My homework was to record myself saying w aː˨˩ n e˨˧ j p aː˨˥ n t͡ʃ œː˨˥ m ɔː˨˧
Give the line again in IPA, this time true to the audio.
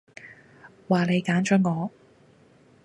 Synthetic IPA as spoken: w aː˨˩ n e˨˧ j k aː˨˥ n t͡ʃ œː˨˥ ŋ ɔː˨˧

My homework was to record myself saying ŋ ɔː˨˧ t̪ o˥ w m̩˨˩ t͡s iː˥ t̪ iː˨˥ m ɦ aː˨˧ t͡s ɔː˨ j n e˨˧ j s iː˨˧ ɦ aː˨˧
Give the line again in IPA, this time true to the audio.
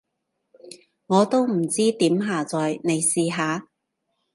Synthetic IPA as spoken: ŋ ɔː˨˧ t̪ o˥ w m̩˨˩ t͡s iː˥ t̪ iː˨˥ m ɦ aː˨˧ t͡s ɔː˨ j n e˨˧ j s iː˨˧ ɦ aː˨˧

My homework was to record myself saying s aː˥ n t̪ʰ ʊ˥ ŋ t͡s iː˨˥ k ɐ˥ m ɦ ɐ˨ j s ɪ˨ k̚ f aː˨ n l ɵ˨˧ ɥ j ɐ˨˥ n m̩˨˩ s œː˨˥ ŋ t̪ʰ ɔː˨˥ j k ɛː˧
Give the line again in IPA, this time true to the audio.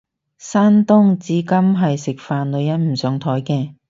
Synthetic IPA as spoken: s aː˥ n t̪ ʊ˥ ŋ t͡s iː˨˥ k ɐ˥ m ɦ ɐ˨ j s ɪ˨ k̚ f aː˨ n l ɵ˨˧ ɥ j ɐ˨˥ n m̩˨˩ s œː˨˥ ŋ t̪ʰ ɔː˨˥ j k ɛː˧

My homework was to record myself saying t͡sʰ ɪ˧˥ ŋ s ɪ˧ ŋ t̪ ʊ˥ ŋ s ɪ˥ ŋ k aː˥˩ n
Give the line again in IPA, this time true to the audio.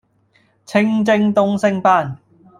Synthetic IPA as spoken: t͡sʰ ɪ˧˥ ŋ t͡s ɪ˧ ŋ t̪ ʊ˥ ŋ s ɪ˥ ŋ p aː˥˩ n

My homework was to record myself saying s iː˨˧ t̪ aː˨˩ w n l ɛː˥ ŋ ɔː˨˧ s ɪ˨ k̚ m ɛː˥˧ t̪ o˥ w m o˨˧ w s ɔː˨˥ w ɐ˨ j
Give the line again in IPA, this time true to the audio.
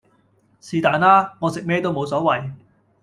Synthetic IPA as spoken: s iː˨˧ t̪ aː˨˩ n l aː˥ ŋ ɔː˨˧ s ɪ˨ k̚ m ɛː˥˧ t̪ o˥ w m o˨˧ w s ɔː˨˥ w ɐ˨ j

